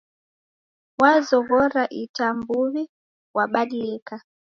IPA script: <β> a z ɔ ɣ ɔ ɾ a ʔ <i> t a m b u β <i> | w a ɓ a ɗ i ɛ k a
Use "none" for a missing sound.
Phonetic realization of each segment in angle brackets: w, i, i

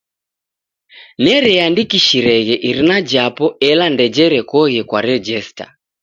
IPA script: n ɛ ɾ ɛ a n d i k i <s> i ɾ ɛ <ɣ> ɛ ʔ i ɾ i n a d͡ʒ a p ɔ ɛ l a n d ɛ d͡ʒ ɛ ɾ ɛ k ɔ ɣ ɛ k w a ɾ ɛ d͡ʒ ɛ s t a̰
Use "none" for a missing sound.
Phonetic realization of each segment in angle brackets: ʃ, ɣ

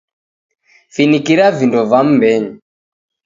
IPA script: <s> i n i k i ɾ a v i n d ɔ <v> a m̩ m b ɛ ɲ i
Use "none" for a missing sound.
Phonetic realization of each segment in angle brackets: f, v

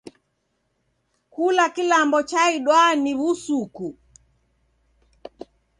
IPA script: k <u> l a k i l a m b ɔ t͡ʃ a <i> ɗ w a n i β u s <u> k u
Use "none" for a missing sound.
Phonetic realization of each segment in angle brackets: u, i, u

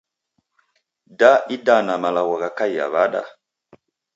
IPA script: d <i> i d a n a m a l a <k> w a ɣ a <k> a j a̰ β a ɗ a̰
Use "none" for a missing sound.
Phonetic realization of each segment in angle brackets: a, none, k

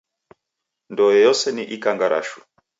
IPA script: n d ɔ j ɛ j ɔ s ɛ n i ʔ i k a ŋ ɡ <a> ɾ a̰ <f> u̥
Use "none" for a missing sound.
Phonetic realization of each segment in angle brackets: a, ʃ

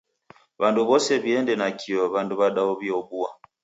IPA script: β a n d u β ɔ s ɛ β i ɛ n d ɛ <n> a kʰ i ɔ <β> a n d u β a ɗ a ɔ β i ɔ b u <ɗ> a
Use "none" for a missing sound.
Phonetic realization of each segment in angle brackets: n, β, none

